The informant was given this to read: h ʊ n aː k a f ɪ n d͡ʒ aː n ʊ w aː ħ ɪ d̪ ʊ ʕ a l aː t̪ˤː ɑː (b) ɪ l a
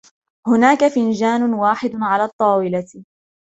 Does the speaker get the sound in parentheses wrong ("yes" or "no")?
yes